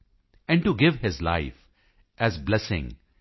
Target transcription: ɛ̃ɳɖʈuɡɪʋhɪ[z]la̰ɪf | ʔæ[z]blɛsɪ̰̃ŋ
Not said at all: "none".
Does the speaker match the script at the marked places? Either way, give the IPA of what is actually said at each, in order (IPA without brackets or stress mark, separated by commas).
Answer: z, z